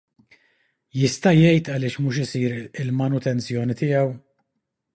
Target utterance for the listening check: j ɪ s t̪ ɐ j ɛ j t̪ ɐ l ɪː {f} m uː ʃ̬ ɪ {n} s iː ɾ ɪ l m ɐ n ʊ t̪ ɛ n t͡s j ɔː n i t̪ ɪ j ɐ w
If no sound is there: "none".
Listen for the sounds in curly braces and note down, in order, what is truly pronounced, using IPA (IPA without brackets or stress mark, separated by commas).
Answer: ʃ, none